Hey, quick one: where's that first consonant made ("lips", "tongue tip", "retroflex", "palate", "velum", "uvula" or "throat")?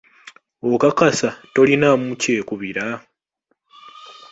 velum